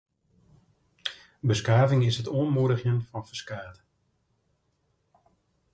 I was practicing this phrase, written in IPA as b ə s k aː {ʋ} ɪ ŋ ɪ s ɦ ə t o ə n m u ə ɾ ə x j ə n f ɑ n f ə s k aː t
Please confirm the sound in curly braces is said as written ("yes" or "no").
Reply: no